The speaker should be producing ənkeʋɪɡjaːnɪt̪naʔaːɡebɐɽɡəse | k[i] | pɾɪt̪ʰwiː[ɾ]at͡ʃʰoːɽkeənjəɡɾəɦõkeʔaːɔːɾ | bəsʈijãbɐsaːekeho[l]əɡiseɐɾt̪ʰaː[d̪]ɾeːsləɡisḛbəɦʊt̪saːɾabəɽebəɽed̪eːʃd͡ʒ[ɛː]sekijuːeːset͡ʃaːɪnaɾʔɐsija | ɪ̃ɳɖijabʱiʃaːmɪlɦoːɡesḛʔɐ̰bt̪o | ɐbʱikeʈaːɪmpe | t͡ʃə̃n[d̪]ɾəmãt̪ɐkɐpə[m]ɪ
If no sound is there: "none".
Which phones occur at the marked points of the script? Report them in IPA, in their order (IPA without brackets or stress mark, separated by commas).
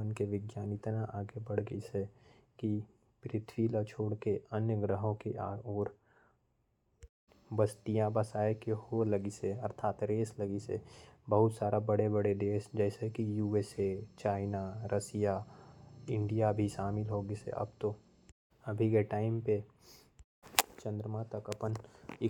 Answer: i, l, l, t̪, ɛː, d̪, n